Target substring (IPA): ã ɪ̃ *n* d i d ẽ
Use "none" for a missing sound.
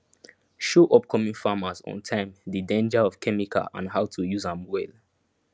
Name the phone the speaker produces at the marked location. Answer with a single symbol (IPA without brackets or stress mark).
m